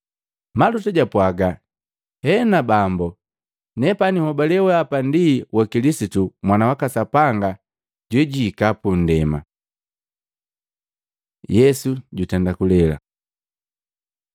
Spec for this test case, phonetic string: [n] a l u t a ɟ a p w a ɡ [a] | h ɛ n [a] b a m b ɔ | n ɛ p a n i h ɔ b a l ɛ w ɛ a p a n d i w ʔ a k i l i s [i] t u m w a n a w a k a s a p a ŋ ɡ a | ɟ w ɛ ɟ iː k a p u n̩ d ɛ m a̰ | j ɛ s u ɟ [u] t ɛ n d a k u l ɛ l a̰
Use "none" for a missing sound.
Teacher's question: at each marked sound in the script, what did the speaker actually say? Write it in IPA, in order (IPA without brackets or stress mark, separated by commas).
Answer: m, a, a, i, u